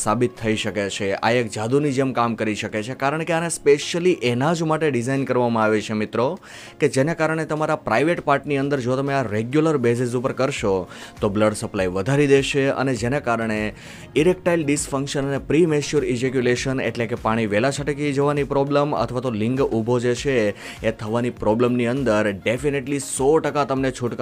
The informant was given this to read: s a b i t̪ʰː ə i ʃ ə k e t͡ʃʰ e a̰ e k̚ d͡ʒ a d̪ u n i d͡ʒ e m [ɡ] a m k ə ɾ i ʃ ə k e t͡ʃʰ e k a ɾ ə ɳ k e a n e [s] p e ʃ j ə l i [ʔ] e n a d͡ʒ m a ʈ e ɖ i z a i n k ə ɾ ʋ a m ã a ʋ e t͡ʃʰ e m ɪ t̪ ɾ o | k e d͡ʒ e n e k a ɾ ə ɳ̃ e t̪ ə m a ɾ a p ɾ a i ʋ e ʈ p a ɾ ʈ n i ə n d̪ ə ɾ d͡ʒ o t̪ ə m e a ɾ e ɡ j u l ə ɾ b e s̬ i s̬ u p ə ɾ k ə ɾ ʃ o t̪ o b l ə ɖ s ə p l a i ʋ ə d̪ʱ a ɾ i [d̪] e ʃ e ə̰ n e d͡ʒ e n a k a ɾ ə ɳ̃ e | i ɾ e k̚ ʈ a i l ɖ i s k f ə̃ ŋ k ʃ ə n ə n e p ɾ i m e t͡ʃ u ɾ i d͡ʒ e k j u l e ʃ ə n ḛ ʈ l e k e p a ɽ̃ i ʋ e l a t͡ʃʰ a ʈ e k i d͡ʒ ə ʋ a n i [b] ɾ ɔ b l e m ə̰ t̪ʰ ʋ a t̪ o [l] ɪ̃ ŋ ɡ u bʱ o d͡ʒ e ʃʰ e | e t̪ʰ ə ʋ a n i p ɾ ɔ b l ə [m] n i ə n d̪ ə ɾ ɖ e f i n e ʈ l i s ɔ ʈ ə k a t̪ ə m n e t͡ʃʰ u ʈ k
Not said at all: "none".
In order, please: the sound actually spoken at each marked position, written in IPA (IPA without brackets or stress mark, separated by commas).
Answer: k, s, ʔ, d̪, p, l, m